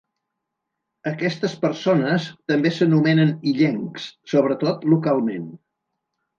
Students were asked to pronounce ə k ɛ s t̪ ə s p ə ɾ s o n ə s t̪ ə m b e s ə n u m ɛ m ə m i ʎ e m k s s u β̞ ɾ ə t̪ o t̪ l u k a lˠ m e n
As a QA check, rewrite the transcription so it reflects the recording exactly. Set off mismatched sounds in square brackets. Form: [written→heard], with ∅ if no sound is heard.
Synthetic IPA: ə k ɛ s t̪ ə s p ə ɾ s o n ə s t̪ ə m b e s ə n u m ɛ [m→n] ə [m→n] i ʎ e [m→ŋ] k s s [u→o] β̞ ɾ ə t̪ o t̪ l u k a lˠ m e n